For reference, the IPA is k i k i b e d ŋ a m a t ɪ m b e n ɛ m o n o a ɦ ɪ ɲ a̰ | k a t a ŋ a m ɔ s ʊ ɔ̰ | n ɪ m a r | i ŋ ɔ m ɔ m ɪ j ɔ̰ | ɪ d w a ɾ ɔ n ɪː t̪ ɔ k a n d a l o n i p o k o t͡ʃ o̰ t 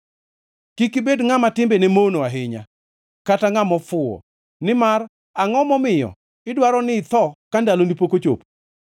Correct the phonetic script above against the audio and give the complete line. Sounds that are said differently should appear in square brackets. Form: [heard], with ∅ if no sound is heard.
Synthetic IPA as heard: k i k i b e d ŋ a m a t ɪ m b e n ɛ m o n o a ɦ ɪ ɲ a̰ | k a t a ŋ a m ɔ [f] ʊ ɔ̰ | n ɪ m a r | [a] ŋ ɔ m ɔ m ɪ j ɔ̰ | ɪ d w a ɾ ɔ n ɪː t̪ ɔ k a n d a l o n i p o k o t͡ʃ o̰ [p]

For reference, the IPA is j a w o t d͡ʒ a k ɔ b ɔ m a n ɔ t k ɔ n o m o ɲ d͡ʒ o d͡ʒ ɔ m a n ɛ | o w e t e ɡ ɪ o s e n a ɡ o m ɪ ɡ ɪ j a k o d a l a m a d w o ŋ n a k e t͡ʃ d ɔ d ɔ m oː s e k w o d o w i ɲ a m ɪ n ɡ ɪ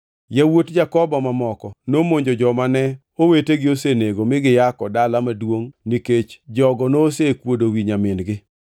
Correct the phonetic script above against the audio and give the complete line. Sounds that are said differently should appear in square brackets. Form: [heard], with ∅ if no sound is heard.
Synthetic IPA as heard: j a w o t d͡ʒ a k ɔ b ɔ m a [m] ɔ [∅] k ɔ n o m o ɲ d͡ʒ o d͡ʒ ɔ m a n ɛ | o w e t e ɡ ɪ o s e n [e] ɡ o m ɪ ɡ ɪ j a k [ɔ] d a l a m a d w o ŋ n [i] k e t͡ʃ [d͡ʒ] ɔ [ɡ] ɔ [n] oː s e k w o d o w i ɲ a m ɪ n ɡ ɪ

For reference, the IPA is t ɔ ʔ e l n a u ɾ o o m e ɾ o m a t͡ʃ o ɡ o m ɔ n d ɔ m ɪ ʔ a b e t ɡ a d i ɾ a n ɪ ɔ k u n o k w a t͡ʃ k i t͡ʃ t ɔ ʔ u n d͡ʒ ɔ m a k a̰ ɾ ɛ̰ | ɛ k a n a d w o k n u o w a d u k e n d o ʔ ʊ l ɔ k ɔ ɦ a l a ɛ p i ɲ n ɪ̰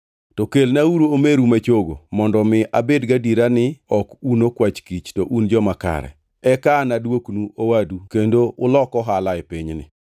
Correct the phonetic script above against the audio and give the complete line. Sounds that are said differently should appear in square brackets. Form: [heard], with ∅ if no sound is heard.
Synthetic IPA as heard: t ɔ [k] e l n a u ɾ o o m e ɾ [u] m a t͡ʃ o ɡ o m ɔ n d ɔ m ɪ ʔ a b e [d] ɡ a d i ɾ a n ɪ ɔ k u n o k w a t͡ʃ k i t͡ʃ t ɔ ʔ u n d͡ʒ ɔ m a k a̰ ɾ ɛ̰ | ɛ k a n a d w o k n u o w a d u k e n d o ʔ ʊ l ɔ k ɔ ɦ a l a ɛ p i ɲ n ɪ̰

